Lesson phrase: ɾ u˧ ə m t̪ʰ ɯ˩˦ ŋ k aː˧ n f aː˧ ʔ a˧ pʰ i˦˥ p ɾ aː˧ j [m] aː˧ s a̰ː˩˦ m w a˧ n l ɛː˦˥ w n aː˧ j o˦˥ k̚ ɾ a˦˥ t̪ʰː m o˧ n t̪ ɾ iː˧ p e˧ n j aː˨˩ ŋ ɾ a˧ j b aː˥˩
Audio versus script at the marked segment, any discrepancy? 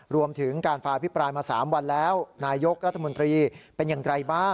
no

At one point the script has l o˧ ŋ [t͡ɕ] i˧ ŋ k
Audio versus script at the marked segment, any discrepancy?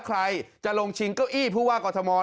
yes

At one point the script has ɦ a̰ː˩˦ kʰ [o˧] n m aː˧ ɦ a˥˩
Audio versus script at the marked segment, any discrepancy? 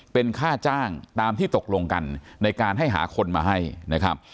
no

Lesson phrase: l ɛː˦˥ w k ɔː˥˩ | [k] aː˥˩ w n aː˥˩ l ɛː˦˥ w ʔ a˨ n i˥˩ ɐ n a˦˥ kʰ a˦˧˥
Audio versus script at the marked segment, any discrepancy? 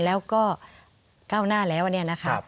no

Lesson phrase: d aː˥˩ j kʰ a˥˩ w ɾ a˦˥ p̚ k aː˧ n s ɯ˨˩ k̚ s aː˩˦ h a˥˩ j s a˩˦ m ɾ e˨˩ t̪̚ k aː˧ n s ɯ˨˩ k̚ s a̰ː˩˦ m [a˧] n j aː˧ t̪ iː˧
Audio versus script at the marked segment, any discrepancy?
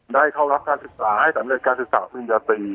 yes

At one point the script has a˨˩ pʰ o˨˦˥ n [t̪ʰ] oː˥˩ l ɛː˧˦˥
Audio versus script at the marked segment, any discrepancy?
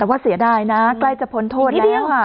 no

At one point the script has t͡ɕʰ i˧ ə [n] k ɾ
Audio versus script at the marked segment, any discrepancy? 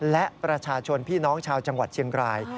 yes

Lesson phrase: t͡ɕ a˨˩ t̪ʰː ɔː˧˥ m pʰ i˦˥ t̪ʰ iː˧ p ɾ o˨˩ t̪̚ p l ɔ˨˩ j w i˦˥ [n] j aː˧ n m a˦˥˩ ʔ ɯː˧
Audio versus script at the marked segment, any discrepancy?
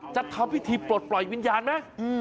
no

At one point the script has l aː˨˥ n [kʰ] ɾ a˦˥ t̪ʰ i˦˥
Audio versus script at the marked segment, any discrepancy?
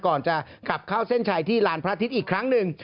yes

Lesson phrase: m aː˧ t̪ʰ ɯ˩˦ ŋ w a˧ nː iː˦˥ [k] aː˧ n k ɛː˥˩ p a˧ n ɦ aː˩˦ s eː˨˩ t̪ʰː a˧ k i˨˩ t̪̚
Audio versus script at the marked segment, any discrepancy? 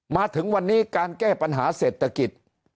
no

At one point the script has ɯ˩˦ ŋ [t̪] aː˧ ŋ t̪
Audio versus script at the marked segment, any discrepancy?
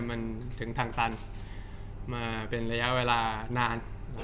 yes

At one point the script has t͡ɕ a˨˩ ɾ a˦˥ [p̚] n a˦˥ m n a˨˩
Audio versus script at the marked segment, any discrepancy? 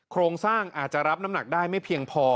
no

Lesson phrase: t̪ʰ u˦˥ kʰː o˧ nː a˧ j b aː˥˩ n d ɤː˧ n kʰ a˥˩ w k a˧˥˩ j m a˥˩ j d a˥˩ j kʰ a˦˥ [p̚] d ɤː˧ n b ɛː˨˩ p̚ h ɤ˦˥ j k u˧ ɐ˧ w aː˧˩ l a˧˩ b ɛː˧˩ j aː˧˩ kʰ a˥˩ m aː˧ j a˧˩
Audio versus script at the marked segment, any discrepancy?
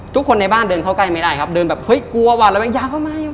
no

